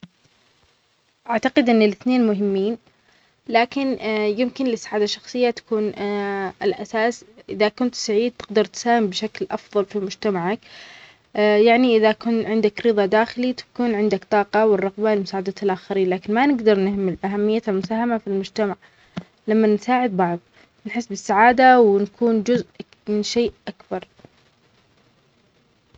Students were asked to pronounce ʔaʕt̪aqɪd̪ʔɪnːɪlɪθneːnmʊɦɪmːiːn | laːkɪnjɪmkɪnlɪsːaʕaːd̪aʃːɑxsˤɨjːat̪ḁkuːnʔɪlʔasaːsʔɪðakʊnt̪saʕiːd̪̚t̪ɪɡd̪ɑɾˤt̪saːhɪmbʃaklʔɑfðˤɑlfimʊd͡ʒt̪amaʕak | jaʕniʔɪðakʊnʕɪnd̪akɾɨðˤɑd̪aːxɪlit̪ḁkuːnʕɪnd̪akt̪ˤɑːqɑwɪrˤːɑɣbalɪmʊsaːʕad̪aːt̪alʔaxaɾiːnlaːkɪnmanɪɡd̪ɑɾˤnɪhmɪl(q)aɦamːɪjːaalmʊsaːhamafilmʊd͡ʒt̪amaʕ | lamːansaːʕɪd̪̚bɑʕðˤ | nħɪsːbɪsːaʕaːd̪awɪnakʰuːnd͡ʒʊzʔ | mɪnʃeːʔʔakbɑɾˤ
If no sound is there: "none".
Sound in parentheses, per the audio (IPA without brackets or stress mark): ʔ